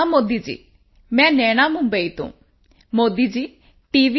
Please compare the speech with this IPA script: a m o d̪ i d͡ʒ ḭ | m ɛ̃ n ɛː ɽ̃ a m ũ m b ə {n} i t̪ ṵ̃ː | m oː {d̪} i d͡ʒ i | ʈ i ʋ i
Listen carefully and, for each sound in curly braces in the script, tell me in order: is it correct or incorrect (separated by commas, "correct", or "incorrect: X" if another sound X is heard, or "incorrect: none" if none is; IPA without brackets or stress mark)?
incorrect: none, correct